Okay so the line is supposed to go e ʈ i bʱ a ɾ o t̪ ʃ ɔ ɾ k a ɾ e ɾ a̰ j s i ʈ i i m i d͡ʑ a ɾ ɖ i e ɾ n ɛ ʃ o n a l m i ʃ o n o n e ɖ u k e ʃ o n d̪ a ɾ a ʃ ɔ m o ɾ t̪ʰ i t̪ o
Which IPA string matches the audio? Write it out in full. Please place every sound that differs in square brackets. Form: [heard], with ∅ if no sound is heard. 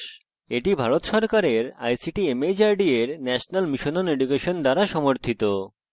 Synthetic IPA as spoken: e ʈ i bʱ a ɾ o t̪ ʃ ɔ ɾ k a ɾ e ɾ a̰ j s i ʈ i [e] m [e] d͡ʑ a ɾ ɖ i e ɾ n ɛ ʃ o n a l m i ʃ o n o n e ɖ u k e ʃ o n d̪ a ɾ a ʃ ɔ m o ɾ t̪ʰ i t̪ o